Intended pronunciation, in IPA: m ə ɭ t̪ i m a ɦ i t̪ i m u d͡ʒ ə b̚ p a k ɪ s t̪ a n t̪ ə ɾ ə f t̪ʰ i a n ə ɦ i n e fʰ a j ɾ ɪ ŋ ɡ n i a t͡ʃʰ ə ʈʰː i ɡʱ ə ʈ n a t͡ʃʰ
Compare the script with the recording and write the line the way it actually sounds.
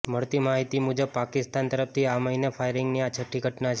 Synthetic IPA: m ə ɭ t̪ i m a ɦ i t̪ i m u d͡ʒ ə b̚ p a k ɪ s t̪ a n t̪ ə ɾ ə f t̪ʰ i a m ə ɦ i n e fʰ a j ɾ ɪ ŋ ɡ n i a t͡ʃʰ ə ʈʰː i ɡʱ ə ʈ n a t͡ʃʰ